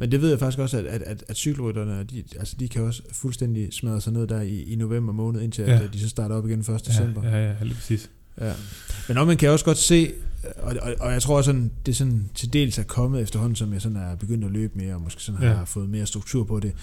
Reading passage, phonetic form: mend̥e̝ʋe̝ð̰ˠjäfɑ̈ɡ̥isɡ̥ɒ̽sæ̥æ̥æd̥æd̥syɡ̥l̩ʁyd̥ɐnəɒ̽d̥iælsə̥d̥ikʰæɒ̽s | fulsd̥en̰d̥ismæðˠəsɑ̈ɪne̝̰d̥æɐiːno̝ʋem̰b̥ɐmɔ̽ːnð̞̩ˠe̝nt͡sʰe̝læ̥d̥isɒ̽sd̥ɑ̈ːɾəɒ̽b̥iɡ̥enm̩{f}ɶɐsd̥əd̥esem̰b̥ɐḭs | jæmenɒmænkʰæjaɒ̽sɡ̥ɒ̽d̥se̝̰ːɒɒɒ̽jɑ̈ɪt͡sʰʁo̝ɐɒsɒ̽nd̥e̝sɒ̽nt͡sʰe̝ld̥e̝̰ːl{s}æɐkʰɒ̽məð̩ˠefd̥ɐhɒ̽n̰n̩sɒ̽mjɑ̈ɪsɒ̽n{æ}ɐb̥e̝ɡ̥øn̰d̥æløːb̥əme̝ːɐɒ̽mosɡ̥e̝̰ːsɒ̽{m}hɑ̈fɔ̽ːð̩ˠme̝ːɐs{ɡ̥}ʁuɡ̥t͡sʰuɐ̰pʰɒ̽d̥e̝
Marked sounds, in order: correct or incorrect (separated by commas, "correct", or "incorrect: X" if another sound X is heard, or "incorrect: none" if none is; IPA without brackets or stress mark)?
correct, correct, correct, incorrect: n, incorrect: d̥